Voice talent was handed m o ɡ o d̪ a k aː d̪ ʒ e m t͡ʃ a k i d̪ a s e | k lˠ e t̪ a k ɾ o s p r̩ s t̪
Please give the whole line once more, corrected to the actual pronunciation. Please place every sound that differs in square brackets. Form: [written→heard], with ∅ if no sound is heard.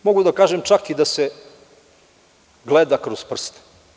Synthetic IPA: m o ɡ [o→u] d̪ a k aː [d̪→∅] ʒ e m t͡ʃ a k i d̪ a s e | [k→ɡ] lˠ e [t̪→d̪] a k ɾ o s p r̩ s t̪